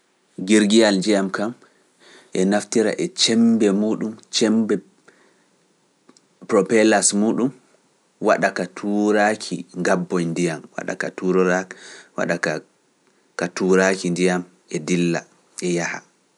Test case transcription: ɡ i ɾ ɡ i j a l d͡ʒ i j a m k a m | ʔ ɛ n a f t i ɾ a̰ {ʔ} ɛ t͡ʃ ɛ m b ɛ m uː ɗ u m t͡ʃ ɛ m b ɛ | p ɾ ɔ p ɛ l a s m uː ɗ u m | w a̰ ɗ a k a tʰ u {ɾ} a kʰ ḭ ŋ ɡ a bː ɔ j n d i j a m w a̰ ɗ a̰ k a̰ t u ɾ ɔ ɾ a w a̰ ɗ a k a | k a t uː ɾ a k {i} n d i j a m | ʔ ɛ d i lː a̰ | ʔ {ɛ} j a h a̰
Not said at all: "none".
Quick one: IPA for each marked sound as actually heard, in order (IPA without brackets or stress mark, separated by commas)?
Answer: ʔ, ɾ, i, ɛ